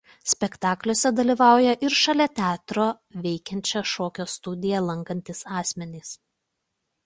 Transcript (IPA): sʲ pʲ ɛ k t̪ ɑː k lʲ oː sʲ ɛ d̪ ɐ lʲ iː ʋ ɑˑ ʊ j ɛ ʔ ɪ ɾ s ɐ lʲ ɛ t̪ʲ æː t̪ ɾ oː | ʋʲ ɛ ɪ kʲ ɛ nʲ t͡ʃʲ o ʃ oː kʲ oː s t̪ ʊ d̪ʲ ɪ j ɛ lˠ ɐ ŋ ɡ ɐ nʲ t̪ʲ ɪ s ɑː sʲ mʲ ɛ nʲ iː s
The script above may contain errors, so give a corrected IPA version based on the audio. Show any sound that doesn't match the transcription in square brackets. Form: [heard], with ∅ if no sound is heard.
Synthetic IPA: sʲ pʲ ɛ k t̪ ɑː k lʲ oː sʲ ɛ d̪ ɐ lʲ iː ʋ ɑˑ ʊ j ɛ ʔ ɪ ɾ [ʃ] ɐ lʲ ɛ t̪ʲ æː t̪ ɾ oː | ʋʲ ɛ ɪ kʲ ɛ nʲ t͡ʃʲ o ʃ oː kʲ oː s t̪ ʊ d̪ʲ ɪ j ɛ lˠ ɐ ŋ [k] ɐ nʲ t̪ʲ ɪ s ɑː sʲ mʲ ɛ nʲ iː s